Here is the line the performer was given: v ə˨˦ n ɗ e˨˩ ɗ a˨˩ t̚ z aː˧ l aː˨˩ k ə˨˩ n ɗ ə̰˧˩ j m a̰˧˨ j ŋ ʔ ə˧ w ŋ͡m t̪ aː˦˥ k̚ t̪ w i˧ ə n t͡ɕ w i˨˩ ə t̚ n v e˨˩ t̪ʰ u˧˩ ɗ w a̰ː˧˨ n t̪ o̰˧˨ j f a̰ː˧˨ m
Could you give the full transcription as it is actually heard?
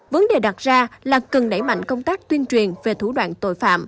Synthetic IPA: v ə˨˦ n ɗ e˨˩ ɗ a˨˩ t̚ z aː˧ l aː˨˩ k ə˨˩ n ɗ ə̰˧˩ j m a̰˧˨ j ŋ k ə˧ w ŋ͡m t̪ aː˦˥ k̚ t̪ w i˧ ə n t͡ɕ w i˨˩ ə n v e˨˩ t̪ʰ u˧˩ ɗ w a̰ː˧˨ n t̪ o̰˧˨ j f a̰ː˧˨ m